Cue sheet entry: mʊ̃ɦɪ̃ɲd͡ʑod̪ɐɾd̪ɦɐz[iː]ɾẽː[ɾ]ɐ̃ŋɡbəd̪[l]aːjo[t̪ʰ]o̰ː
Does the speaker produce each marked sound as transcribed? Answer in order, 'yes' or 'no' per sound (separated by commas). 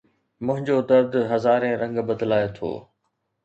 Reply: no, yes, yes, yes